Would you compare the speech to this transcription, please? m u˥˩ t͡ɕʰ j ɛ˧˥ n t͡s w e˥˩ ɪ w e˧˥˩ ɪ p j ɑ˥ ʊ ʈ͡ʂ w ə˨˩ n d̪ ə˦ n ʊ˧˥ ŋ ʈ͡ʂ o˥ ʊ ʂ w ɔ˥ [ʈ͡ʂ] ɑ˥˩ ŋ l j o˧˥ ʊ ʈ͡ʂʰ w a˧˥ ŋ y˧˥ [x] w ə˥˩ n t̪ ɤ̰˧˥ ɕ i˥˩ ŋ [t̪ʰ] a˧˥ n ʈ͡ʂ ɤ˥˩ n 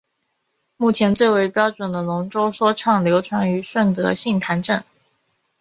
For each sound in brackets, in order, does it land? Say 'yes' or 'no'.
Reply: no, no, yes

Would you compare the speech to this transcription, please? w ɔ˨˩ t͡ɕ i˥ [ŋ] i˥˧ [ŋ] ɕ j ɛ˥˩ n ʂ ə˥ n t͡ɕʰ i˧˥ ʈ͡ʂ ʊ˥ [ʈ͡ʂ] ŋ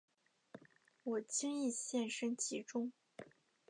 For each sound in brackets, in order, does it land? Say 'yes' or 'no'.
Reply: yes, no, no

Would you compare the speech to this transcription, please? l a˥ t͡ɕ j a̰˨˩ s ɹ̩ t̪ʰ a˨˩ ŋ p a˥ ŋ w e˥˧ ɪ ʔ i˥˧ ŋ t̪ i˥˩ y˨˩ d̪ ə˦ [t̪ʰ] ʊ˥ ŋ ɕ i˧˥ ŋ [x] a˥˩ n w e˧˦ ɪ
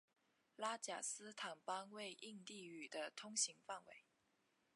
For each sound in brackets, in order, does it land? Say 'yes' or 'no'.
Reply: yes, no

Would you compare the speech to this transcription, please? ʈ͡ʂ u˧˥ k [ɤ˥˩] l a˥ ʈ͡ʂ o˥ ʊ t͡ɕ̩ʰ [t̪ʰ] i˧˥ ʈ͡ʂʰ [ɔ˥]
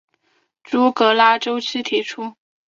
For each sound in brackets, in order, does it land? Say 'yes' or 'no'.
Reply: no, yes, no

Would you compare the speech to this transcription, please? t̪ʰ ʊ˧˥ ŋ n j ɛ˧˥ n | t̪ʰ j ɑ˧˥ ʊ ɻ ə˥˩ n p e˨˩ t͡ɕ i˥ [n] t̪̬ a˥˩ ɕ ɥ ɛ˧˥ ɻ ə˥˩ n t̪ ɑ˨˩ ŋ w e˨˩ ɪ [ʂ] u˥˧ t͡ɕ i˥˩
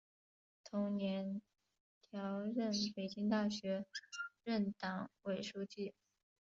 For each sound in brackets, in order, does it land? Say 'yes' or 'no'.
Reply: no, yes

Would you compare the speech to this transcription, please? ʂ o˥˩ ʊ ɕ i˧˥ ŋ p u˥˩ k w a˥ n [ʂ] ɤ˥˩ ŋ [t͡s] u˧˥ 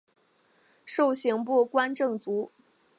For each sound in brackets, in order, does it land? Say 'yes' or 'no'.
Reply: no, yes

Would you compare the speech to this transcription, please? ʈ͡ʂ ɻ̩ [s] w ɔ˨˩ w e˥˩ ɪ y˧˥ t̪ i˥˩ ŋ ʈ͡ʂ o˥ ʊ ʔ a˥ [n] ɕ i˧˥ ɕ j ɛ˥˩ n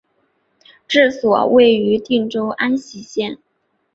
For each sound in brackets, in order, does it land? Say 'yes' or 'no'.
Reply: yes, yes

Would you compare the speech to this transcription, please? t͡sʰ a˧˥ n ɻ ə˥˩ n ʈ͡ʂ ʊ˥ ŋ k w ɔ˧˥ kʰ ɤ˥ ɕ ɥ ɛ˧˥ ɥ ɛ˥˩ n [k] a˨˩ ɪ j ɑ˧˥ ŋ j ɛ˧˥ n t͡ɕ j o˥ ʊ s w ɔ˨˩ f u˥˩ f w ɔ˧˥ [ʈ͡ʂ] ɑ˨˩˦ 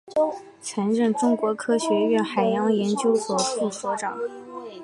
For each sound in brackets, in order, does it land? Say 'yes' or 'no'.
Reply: no, yes

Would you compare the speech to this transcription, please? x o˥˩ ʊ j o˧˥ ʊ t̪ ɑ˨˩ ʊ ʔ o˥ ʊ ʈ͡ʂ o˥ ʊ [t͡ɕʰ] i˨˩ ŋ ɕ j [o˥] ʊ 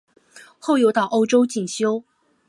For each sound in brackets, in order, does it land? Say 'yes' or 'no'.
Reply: no, yes

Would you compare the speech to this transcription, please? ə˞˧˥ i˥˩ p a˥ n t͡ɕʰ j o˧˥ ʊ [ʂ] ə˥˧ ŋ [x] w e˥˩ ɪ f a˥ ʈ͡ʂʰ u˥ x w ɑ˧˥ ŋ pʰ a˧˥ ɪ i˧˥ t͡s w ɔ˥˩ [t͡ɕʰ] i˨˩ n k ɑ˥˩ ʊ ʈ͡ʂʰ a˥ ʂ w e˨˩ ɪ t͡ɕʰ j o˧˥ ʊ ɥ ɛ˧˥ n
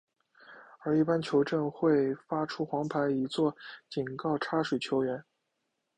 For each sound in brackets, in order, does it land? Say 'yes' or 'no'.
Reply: no, yes, no

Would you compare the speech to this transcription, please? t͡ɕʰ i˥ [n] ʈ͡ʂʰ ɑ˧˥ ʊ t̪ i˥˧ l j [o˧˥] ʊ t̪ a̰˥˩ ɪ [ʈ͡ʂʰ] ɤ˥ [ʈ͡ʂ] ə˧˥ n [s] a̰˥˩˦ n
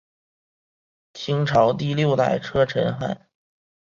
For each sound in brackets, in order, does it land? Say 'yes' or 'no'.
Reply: no, no, yes, no, no

